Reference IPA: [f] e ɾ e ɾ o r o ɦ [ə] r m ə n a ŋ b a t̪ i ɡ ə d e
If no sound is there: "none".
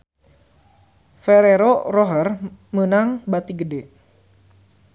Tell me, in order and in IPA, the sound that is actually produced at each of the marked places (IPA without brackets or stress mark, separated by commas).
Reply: f, ə